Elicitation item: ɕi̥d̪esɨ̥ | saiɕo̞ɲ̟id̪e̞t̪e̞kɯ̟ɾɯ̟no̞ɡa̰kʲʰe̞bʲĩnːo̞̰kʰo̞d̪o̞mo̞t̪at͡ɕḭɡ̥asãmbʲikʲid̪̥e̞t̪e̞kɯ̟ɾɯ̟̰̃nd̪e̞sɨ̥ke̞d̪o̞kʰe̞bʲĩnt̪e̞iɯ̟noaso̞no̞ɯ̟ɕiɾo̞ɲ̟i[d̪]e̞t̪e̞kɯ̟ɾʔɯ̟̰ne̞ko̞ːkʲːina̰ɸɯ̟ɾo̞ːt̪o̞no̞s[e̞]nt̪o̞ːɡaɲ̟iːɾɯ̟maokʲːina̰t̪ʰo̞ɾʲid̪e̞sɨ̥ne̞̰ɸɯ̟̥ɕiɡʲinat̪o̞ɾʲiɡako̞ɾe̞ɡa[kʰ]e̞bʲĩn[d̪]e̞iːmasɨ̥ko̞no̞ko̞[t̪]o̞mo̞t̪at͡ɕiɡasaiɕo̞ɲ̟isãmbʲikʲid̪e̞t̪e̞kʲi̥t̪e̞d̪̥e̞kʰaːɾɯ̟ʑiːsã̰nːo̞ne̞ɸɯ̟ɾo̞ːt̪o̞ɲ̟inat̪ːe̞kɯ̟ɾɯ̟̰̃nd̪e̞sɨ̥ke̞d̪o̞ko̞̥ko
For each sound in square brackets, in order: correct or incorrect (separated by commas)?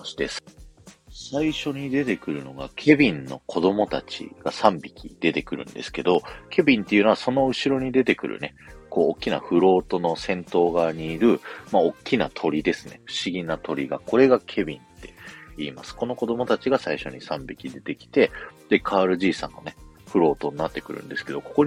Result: correct, incorrect, correct, incorrect, incorrect